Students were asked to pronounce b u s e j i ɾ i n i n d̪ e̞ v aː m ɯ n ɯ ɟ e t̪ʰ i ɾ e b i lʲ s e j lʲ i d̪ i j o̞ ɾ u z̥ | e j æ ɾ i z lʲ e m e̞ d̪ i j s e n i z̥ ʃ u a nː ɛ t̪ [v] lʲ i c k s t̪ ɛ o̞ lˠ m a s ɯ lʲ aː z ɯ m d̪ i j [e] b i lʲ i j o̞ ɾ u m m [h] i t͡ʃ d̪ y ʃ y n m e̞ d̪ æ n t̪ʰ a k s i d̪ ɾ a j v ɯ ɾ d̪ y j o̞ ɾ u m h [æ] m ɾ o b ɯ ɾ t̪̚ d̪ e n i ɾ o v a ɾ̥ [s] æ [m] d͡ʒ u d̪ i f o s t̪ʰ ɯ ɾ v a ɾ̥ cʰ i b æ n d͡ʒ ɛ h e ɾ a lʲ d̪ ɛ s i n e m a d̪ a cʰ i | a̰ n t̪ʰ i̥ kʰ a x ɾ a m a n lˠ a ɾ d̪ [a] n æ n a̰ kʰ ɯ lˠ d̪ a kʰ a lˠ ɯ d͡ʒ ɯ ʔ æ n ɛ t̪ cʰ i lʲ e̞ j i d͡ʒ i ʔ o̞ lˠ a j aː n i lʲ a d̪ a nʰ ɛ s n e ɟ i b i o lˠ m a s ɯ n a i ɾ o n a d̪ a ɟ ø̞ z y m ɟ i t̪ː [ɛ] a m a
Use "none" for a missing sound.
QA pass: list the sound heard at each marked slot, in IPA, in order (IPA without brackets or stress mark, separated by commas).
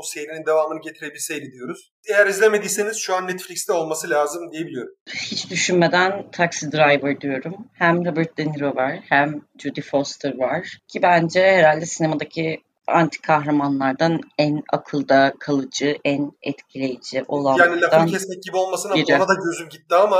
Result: f, e, h, æ, h, m, a, i